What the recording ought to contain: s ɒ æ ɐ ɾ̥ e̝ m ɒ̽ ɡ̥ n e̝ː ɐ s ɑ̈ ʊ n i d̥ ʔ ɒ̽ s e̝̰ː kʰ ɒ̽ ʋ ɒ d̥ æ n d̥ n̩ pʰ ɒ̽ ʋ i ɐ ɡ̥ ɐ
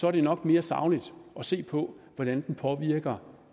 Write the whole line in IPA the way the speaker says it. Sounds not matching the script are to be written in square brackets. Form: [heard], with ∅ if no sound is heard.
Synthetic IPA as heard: s ɒ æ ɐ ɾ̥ e̝ [n] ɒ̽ ɡ̥ [m] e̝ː ɐ s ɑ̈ ʊ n i d̥ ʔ ɒ̽ s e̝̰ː [pʰ] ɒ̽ ʋ ɒ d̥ æ n d̥ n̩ pʰ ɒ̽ ʋ i ɐ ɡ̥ ɐ